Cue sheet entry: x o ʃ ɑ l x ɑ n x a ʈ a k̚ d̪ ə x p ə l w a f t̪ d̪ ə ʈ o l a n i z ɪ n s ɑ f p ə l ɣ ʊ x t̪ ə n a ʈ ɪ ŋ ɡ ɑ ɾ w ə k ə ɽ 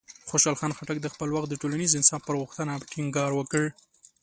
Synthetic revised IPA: x o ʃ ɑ l x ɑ n x a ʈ a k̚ d̪ ə x p ə l w a x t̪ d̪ ə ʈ o l a n i z ɪ n s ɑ f p ə ɾ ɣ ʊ x t̪ ə n a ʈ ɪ ŋ ɡ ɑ ɾ w ə k ə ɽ